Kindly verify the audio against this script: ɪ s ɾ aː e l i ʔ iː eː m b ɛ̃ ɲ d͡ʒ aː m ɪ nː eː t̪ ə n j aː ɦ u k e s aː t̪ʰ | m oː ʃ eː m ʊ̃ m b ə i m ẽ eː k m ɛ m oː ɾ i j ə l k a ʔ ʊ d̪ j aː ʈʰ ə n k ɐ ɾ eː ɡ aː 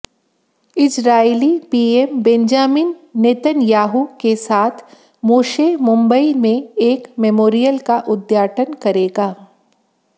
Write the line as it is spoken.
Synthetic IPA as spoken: ɪ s ɾ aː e l i p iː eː m b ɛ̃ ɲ d͡ʒ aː m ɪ nː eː t̪ ə n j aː ɦ u k e s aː t̪ʰ | m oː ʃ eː m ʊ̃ m b ə i m ẽ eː k m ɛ m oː ɾ i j ə l k a ʔ ʊ d̪ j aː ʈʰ ə n k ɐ ɾ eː ɡ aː